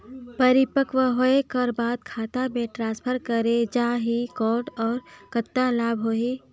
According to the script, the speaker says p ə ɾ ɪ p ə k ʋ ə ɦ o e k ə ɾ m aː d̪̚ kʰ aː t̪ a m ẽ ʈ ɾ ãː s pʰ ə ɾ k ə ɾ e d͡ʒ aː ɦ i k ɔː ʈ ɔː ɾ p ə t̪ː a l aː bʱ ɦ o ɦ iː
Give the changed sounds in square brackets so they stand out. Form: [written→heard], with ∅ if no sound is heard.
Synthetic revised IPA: p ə ɾ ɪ p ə k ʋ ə ɦ o e k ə ɾ [m→b] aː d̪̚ kʰ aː t̪ a m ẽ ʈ ɾ ãː s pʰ ə ɾ k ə ɾ e d͡ʒ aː ɦ i k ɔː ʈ ɔː ɾ [p→k] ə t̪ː a l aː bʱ ɦ o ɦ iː

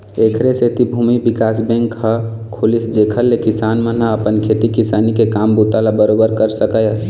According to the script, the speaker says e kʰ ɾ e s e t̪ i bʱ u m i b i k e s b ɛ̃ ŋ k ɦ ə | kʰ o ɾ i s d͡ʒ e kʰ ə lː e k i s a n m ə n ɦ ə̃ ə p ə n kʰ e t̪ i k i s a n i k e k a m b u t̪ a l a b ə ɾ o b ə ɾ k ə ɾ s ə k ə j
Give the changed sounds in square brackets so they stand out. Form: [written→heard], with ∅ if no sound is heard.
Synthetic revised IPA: e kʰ ɾ e s e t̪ i bʱ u m i b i k [e→a] s b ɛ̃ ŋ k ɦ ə | kʰ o [ɾ→l] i s d͡ʒ e kʰ ə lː e k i s a n m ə n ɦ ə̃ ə p ə n kʰ e t̪ i k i s a n i k e k a m b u t̪ a l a b ə ɾ o b ə ɾ k ə ɾ s ə k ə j

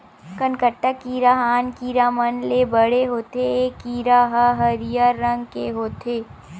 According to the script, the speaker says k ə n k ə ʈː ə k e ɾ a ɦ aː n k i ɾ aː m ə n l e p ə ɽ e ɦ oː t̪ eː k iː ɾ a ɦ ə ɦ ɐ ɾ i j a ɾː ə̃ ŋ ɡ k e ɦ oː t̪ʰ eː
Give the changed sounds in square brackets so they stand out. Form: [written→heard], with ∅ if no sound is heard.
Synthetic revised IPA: k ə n k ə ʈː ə k [e→i] ɾ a ɦ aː n k i ɾ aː m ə n l e [p→b] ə ɽ e ɦ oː t̪ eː k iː ɾ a ɦ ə ɦ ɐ ɾ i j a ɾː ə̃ ŋ ɡ k e ɦ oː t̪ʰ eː

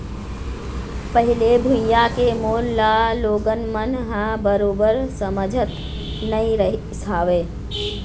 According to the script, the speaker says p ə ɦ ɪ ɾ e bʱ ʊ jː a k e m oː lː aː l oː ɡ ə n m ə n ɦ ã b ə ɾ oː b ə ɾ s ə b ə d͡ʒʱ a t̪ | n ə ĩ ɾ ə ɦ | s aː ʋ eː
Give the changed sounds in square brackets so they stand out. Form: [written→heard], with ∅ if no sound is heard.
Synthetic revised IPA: p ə ɦ ɪ [ɾ→l] e bʱ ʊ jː a k e m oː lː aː l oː ɡ ə n m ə n ɦ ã b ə ɾ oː b ə ɾ s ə [b→m] ə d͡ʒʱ [a→ə] t̪ | n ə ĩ ɾ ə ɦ | s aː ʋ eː

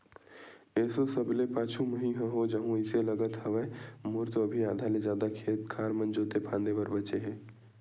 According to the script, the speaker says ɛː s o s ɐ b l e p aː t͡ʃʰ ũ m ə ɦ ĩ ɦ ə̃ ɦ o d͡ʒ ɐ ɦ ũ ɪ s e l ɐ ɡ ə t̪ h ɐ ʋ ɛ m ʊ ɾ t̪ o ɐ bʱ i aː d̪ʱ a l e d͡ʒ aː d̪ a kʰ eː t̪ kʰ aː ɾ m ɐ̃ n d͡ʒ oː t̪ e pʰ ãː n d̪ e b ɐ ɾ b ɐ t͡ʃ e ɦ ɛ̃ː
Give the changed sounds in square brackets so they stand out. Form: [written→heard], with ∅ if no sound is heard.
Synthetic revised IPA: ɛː s o s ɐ b l e p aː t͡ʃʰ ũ m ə ɦ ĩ ɦ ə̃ ɦ o d͡ʒ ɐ ɦ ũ ɪ s e l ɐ ɡ ə t̪ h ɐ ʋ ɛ m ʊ ɾ t̪ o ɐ bʱ i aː d̪ʱ a l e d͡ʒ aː d̪ a kʰ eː t̪ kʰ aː ɾ m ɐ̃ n d͡ʒ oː t̪ e pʰ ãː n d̪ e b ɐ ɾ b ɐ t͡ʃ e ɦ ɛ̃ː

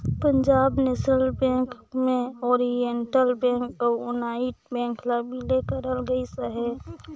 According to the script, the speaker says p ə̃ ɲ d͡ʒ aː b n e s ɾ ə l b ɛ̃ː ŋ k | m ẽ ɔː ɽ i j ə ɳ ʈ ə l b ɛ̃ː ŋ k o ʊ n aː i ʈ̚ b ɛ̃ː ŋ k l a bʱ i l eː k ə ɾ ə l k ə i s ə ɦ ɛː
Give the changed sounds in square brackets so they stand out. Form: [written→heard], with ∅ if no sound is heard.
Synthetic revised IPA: p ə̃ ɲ d͡ʒ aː b n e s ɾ ə l b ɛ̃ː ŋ k | m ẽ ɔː [ɽ→ɾ] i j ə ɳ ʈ ə l b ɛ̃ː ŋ k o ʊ n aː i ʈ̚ b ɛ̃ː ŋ k l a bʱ i l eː k ə ɾ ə l [k→ɡ] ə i s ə ɦ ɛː

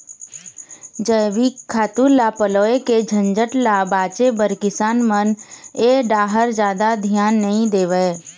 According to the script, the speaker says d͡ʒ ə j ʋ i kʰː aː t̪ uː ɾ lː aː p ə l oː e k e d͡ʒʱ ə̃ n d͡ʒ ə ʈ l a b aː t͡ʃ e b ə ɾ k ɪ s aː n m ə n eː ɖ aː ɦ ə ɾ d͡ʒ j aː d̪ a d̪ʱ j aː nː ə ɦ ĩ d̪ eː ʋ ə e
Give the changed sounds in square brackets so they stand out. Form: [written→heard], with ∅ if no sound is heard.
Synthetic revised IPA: d͡ʒ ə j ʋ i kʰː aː t̪ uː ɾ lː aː p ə l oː e k e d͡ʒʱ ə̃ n d͡ʒ ə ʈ l a b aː t͡ʃ e b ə ɾ k ɪ s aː n m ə n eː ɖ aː ɦ ə ɾ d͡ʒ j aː d̪ a d̪ʱ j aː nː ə ɦ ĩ d̪ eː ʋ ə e

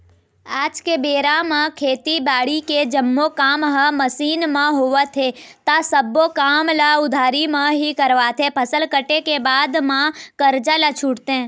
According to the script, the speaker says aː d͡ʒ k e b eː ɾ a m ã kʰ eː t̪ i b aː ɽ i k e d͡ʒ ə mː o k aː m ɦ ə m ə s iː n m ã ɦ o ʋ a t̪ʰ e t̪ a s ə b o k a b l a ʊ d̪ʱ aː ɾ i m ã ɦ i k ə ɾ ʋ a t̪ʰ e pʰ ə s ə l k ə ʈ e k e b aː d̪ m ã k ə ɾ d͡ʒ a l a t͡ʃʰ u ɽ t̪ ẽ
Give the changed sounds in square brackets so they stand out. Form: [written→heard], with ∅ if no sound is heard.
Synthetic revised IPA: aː d͡ʒ k e b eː ɾ a m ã kʰ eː t̪ i b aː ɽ i k e d͡ʒ ə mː o k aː m ɦ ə m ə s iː n m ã ɦ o ʋ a t̪ʰ e t̪ a s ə b o k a [b→m] l a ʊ d̪ʱ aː ɾ i m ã ɦ i k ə ɾ ʋ a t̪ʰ e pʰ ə s ə l k ə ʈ e k e b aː d̪ m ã k ə ɾ d͡ʒ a l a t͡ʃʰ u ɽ t̪ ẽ

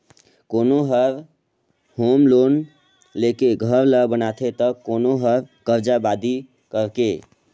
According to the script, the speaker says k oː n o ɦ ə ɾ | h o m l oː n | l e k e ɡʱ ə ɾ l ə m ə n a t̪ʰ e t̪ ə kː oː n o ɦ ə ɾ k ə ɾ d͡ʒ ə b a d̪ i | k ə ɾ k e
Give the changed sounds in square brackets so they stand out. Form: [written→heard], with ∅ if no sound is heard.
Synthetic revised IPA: k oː n o ɦ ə ɾ | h o m l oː n | l e k e ɡʱ ə ɾ l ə [m→b] ə n a t̪ʰ e t̪ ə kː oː n o ɦ ə ɾ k ə ɾ d͡ʒ [ə→a] b a d̪ i | k ə ɾ k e

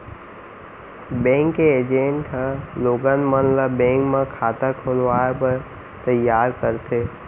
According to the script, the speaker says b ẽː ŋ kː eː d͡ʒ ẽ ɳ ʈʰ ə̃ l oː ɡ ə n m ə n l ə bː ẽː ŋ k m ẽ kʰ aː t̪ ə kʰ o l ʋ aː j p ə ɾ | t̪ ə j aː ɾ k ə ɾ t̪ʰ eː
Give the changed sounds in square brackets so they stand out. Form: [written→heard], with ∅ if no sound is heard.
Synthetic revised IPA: b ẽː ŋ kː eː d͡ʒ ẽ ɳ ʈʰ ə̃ l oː ɡ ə n m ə n l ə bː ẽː ŋ k m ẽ kʰ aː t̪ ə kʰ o l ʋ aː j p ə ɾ | t̪ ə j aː ɾ k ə ɾ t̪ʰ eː

